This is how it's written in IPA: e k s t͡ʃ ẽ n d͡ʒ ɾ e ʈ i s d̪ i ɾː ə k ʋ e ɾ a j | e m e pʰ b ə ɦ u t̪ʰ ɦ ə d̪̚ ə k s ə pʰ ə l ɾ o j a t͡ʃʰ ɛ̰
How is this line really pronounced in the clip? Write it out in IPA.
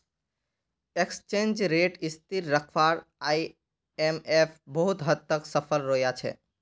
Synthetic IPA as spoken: e k s t͡ʃ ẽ n d͡ʒ ɾ e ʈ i s t̪ i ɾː ə kʰ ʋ a ɾ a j | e m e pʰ b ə ɦ u t̪ ɦ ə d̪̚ ə k s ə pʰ ə l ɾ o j a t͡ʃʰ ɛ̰

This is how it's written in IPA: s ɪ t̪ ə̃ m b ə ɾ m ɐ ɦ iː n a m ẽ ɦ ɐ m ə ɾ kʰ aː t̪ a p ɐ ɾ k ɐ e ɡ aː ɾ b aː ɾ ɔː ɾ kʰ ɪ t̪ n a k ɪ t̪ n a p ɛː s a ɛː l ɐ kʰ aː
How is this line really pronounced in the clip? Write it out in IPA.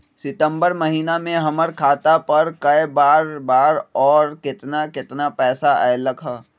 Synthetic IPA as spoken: s ɪ t̪ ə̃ m b ə ɾ m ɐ ɦ iː n a m ẽ ɦ ɐ m ə ɾ kʰ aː t̪ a p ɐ ɾ k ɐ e b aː ɾ b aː ɾ ɔː ɾ k ɪ t̪ n a k ɪ t̪ n a p ɛː s a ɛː l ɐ kʰ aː

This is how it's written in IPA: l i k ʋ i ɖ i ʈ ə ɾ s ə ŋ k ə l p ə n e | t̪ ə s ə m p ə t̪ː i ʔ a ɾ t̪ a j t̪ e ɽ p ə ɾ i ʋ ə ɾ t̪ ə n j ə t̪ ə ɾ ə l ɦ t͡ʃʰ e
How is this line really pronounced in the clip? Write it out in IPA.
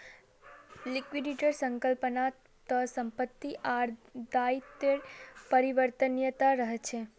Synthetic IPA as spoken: l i k ʋ i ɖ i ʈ ə ɾ s ə ŋ k ə l p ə n a | t̪ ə s ə m p ə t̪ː i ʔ a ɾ d̪ a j t̪ e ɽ p ə ɾ i ʋ ə ɾ t̪ ə n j ə t̪ a ɾ ə ɦ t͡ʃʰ e

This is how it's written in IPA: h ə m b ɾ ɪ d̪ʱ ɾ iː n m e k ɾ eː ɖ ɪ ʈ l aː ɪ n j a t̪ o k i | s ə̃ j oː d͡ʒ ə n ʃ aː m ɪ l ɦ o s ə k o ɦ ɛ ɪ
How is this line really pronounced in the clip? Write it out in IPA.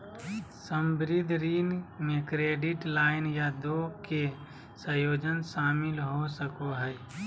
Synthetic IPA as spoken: s ə m b ɾ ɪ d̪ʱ ɾ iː n m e k ɾ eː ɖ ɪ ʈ l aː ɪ n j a d̪ o k e | s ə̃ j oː d͡ʒ ə n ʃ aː m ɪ l ɦ o s ə k o ɦ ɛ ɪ

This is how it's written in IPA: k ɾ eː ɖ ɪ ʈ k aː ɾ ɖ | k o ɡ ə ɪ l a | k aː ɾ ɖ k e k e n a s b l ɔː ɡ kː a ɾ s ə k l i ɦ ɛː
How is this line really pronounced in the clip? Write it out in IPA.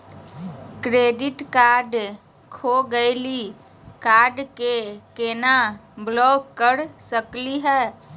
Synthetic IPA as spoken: k ɾ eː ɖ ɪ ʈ k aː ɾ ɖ | kʰ o ɡ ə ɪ l i | k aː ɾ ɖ k e k e n a b l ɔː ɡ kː ə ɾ s ə k l i ɦ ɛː

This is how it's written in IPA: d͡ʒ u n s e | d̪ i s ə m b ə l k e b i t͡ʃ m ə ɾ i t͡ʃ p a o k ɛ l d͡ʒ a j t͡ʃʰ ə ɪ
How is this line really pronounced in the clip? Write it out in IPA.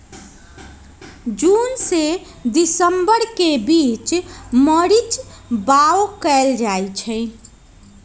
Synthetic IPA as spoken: d͡ʒ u n s e | d̪ i s ə m b ə ɾ k e b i t͡ʃ m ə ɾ i t͡ʃ b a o k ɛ l d͡ʒ a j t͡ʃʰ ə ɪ

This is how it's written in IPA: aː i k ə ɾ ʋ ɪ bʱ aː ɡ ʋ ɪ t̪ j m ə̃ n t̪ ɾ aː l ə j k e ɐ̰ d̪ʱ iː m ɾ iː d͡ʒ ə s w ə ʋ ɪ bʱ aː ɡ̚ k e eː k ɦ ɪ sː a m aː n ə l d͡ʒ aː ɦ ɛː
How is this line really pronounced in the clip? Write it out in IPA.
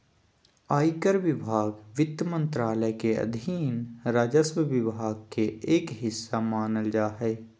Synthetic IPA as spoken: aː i k ə ɾ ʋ ɪ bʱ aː ɡ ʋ ɪ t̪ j m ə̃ n t̪ ɾ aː l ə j k e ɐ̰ d̪ʱ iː n ɾ aː d͡ʒ ə s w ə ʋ ɪ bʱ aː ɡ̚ k e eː k ɦ ɪ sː a m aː n ə l d͡ʒ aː ɦ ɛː

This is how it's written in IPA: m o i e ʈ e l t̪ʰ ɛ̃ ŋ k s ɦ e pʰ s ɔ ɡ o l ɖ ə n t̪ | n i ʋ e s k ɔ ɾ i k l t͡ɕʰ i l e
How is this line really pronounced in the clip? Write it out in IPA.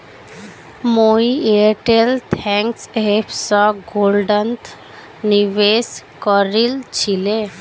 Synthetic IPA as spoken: m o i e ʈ e l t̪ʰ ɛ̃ ŋ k s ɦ e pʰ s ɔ ɡ o l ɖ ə n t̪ | n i ʋ e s k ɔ ɾ i l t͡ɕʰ i l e

